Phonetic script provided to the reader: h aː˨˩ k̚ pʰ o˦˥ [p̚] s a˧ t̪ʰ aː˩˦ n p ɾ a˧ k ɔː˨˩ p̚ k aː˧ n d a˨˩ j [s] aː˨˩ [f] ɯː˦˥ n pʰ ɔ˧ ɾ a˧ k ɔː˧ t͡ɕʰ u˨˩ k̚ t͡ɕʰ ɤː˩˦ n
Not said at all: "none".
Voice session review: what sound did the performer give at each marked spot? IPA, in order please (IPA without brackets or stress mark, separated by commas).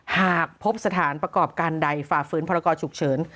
p̚, f, f